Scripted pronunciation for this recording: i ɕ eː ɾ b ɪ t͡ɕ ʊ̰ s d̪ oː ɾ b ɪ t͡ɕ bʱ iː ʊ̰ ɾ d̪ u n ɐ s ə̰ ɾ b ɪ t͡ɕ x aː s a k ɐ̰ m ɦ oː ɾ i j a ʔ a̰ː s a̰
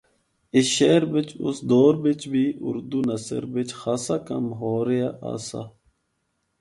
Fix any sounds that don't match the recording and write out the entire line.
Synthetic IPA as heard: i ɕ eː ɾ b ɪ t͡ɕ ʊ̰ s d̪ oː ɾ b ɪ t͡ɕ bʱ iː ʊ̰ ɾ d̪ u n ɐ s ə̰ ɾ b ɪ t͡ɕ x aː s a k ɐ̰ m ɦ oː ɾ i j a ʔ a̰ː s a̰